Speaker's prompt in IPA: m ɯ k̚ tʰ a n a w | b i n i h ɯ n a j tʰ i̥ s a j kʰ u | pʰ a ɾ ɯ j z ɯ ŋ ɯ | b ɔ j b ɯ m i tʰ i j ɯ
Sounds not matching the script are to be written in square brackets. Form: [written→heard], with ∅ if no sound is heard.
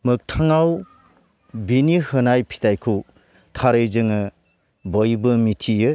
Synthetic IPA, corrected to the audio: m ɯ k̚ tʰ a [n→ŋ] a w | b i n i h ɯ n a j [tʰ→pʰ] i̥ [s→t] a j kʰ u | [pʰ→tʰ] a ɾ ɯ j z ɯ ŋ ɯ | b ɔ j b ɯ m i tʰ i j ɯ